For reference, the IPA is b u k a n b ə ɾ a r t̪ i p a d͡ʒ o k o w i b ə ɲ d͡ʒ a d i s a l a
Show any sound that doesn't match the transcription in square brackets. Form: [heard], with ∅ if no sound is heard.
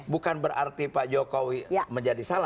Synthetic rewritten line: b u k a n b ə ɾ a r t̪ i p a d͡ʒ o k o w i [m] ə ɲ d͡ʒ a d i s a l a